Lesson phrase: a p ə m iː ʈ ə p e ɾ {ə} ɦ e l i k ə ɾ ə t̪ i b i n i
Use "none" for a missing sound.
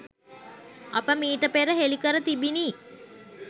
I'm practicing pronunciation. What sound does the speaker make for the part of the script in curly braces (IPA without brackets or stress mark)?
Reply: ə